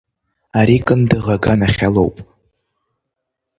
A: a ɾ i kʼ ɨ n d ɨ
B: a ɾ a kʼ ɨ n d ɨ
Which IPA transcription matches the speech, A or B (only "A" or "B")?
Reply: A